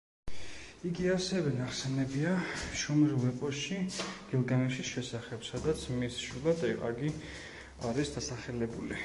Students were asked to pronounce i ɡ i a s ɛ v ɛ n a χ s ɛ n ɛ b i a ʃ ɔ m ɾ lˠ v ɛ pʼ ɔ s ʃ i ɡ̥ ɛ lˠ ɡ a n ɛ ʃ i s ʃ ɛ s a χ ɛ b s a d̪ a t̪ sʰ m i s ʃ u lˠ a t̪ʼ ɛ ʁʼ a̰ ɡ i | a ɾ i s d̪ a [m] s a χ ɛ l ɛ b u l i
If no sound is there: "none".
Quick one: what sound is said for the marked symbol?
none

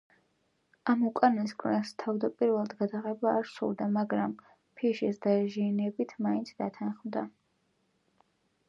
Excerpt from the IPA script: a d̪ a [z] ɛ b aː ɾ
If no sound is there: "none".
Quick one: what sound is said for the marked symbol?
ʁ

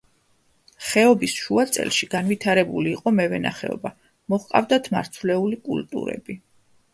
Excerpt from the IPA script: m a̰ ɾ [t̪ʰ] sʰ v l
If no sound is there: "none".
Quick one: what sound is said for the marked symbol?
t̪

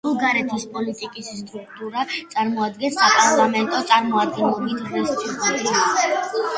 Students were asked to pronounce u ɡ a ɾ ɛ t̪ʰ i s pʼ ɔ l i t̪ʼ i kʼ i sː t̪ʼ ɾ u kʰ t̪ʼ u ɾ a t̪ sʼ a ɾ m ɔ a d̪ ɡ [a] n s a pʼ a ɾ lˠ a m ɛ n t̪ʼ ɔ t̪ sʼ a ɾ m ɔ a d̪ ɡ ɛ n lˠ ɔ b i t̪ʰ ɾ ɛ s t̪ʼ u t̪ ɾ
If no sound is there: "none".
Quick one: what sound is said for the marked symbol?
ɛ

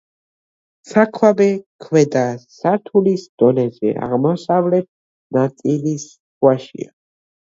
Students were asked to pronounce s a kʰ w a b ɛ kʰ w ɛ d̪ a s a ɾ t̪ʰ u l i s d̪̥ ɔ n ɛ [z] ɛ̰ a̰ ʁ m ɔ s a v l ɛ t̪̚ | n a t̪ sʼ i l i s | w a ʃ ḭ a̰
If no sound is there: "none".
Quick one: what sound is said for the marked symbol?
z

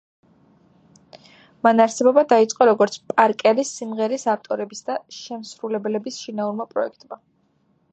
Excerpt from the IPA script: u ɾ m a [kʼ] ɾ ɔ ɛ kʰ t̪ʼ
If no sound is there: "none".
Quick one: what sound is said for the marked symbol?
pʼ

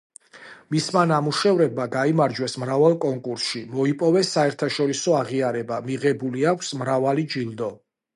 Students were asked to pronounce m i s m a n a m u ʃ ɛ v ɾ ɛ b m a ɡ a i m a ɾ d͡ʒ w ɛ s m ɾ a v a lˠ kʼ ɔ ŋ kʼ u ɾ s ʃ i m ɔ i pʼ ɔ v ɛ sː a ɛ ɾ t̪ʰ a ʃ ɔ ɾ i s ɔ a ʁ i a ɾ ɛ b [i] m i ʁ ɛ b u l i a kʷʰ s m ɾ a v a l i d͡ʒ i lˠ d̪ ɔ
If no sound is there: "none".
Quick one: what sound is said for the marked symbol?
a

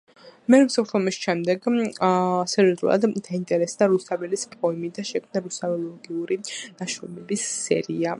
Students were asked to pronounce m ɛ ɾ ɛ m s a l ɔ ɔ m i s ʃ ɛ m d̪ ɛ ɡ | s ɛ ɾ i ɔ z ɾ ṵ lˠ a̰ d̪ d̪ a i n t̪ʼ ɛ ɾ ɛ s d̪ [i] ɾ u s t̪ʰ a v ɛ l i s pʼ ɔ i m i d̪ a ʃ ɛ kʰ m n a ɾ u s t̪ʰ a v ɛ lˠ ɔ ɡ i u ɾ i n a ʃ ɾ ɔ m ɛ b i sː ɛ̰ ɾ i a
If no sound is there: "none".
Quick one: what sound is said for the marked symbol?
a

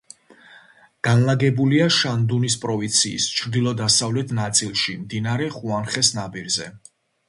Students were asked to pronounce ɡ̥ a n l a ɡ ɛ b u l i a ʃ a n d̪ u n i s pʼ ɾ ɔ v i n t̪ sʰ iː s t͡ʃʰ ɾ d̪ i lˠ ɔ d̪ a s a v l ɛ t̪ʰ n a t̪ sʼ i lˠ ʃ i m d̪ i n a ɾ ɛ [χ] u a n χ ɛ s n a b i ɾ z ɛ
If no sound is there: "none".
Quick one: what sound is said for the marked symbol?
χ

